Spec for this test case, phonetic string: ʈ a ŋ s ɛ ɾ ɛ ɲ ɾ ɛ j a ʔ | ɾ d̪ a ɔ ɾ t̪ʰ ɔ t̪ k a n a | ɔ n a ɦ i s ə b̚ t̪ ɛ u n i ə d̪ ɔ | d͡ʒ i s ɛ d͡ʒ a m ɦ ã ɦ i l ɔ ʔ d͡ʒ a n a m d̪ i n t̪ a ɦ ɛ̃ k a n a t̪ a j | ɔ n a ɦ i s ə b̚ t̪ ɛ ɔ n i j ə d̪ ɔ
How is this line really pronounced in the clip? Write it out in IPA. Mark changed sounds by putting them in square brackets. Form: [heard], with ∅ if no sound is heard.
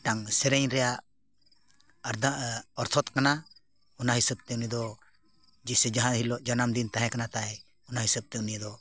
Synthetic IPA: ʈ a ŋ s ɛ ɾ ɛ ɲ ɾ ɛ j a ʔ | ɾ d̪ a ɔ ɾ t̪ʰ ɔ t̪ k a n a | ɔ n a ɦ i s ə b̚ t̪ ɛ u n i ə d̪ ɔ | d͡ʒ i s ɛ d͡ʒ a [∅] ɦ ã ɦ i l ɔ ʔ d͡ʒ a n a m d̪ i n t̪ a ɦ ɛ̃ k a n a t̪ a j | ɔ n a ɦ i s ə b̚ t̪ ɛ [u] n i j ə d̪ ɔ